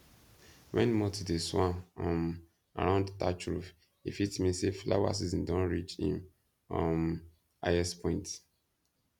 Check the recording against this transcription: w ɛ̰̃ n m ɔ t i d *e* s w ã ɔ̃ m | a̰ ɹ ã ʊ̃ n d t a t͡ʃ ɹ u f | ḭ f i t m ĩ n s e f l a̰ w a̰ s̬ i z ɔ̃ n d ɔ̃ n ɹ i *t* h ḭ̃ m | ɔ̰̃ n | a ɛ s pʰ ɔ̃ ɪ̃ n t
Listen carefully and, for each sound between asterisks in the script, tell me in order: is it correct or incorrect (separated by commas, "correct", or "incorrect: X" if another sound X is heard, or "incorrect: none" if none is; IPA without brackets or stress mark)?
correct, incorrect: t͡ʃ